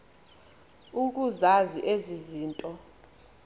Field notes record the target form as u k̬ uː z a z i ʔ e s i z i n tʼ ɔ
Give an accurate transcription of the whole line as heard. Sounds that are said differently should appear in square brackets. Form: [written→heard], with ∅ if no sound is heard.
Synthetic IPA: u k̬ [uː→u] z a z i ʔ e [s→z] i z [i→iː] n tʼ ɔ